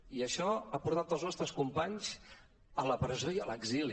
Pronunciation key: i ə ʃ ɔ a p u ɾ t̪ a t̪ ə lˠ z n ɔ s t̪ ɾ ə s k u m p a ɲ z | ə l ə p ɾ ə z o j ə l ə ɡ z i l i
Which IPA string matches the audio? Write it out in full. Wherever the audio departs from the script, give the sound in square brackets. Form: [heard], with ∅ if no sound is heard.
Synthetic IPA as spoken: i ə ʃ ɔ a p u ɾ t̪ a t̪ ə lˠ z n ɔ s t̪ ɾ ə s k u m p a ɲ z | ə l ə p ɾ ə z o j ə l ə ɡ z i l i